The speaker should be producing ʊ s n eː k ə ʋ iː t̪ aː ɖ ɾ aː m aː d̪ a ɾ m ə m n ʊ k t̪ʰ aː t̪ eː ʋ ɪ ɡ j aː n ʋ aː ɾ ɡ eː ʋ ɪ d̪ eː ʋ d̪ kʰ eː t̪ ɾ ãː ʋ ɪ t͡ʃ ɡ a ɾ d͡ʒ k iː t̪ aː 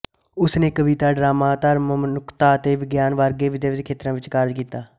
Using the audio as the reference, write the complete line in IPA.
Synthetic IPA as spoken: ʊ s n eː k ə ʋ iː t̪ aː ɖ ɾ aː m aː t̪ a ɾ m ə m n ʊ k t̪ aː t̪ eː ʋ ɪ ɡ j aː n ʋ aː ɾ ɡ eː ʋ ɪ d̪ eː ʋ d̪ kʰ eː t̪ ɾ ãː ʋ ɪ t͡ʃ k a ɾ d͡ʒ k iː t̪ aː